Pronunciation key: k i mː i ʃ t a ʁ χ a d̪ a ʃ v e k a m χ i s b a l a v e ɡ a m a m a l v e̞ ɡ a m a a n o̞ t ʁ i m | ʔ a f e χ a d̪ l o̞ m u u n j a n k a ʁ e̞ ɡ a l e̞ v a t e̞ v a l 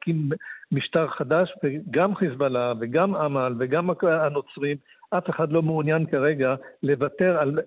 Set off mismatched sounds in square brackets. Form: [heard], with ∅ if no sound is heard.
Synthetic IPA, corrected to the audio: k i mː i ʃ t a ʁ χ a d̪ a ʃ v e [ɡ] a m χ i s b a l a v e ɡ a m a m a l v e̞ ɡ a m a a n o̞ [t͡s] ʁ i m | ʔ a f e χ a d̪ l o̞ m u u n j a n k a ʁ e̞ ɡ a l e̞ v a t e̞ [ʁ] a l